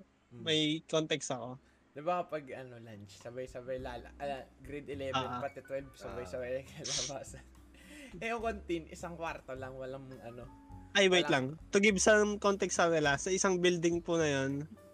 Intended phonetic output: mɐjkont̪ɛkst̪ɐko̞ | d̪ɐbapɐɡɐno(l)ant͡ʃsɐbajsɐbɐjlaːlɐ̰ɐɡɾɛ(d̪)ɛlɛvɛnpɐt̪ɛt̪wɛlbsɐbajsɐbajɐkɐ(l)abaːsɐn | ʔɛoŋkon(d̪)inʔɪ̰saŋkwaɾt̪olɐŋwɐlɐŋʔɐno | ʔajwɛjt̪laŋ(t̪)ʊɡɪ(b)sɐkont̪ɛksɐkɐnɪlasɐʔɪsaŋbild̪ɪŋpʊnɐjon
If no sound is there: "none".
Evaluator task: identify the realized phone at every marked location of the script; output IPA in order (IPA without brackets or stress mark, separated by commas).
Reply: l, d̪, l, t̪, t̪, b